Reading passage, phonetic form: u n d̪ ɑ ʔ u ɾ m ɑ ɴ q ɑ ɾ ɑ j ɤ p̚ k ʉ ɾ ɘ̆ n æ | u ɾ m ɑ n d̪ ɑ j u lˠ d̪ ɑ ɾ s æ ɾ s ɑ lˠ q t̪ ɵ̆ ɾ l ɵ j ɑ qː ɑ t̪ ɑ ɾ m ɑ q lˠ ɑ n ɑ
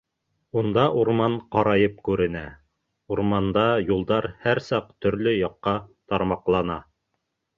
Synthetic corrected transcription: u n d̪ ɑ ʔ u ɾ m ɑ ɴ q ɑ ɾ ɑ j ɤ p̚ k ʉ ɾ ɘ̆ n æ | u ɾ m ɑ n d̪ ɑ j u lˠ d̪ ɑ ɾ h æ ɾ s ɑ q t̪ ɵ̆ ɾ l ɵ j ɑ qː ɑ t̪ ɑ ɾ m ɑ q lˠ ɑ n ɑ